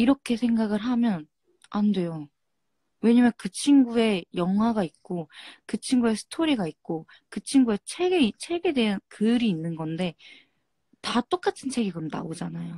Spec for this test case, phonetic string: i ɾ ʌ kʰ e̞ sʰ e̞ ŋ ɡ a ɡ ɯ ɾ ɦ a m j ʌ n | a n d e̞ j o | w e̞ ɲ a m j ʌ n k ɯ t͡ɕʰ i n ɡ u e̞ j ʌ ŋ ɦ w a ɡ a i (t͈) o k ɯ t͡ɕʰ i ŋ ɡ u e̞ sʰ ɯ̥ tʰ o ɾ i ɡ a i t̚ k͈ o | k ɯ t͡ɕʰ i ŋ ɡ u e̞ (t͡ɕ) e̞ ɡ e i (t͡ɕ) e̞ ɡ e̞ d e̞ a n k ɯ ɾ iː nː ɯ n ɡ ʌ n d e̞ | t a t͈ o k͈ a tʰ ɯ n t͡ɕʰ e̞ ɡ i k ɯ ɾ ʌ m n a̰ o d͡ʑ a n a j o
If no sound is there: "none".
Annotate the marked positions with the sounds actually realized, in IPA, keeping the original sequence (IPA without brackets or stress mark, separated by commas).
k͈, t͡ɕʰ, t͡ɕʰ